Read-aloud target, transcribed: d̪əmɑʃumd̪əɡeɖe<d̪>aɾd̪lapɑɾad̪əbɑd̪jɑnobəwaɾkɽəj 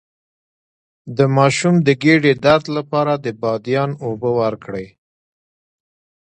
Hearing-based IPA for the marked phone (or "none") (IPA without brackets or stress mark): d̪